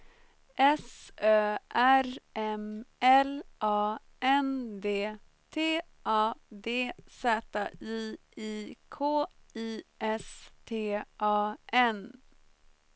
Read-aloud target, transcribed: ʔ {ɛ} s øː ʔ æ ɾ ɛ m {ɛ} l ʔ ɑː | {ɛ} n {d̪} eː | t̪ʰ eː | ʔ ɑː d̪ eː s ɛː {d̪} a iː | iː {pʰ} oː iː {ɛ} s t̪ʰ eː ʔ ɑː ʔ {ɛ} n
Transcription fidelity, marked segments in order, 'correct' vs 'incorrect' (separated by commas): correct, correct, correct, correct, incorrect, incorrect, correct, correct